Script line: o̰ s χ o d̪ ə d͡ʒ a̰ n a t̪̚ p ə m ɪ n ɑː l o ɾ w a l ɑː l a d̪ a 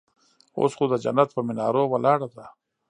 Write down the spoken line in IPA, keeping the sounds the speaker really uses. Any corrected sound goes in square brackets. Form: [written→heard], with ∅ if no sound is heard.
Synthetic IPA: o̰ s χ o d̪ ə d͡ʒ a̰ n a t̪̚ p ə m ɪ n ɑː [l→ɾ] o [ɾ→∅] w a l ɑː [l→ɽ] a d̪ a